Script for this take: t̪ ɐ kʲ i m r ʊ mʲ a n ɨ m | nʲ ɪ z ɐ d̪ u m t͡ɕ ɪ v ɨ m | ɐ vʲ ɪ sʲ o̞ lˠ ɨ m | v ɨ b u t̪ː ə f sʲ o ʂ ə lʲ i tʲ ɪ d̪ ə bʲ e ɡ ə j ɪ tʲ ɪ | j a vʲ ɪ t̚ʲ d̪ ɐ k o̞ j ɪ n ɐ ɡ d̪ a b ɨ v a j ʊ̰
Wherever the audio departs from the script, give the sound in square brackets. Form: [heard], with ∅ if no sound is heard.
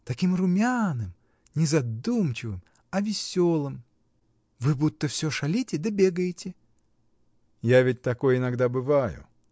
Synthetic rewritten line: t̪ ɐ kʲ i m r ʊ mʲ a n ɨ m | nʲ ɪ z ɐ d̪ u m t͡ɕ ɪ v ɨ m | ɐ vʲ ɪ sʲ o̞ lˠ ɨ m | v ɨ b u t̪ː ə f sʲ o ʂ [ɐ] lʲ i tʲ ɪ d̪ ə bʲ e ɡ ə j ɪ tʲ ɪ | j a vʲ ɪ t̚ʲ [t̪] ɐ k o̞ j ɪ n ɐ ɡ d̪ a b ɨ v a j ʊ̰